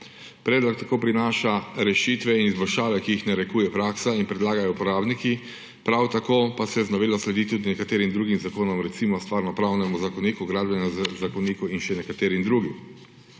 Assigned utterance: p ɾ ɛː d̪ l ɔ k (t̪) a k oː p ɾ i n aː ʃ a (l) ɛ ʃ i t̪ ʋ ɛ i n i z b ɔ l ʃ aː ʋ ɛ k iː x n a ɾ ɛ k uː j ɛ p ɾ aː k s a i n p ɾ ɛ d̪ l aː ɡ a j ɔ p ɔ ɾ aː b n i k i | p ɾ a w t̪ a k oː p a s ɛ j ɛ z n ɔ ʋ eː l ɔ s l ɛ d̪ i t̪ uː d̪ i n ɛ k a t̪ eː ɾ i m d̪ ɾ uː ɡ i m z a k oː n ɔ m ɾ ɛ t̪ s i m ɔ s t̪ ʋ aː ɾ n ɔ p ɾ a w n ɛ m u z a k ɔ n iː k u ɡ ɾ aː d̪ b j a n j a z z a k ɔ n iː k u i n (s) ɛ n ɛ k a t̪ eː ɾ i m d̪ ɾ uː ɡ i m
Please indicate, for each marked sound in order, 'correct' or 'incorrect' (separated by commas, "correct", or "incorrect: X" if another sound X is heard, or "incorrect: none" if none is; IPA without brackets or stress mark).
correct, incorrect: ɾ, incorrect: ʃ